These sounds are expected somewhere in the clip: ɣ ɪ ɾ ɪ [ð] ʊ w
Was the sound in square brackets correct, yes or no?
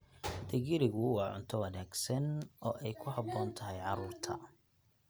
no